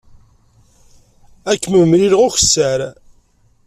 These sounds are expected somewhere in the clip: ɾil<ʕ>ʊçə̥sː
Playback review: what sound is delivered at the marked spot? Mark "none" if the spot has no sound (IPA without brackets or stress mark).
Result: ʁ